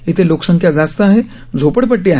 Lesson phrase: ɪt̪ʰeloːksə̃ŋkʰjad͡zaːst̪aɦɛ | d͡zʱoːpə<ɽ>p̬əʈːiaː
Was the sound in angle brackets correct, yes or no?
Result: yes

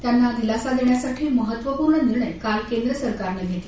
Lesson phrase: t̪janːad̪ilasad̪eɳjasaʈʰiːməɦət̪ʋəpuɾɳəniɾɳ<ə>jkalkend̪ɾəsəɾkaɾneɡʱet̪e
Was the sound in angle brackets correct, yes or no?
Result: yes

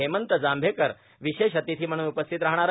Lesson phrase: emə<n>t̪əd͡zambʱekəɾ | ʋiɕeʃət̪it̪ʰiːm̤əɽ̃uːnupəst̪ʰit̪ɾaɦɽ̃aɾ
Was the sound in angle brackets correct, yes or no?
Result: yes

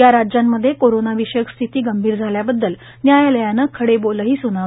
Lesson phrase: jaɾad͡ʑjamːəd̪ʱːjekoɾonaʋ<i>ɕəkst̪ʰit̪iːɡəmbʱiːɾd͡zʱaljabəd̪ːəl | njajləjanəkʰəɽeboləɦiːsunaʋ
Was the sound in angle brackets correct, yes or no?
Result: yes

